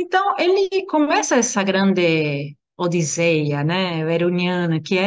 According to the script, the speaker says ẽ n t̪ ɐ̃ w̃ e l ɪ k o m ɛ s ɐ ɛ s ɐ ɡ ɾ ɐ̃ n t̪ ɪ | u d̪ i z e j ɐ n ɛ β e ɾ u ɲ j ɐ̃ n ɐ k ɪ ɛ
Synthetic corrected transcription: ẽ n t̪ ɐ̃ w̃ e l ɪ k o m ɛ s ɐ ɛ s ɐ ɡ ɾ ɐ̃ n d̪ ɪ | o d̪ i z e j ɐ n ɛ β e ɾ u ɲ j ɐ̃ n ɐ k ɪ ɛ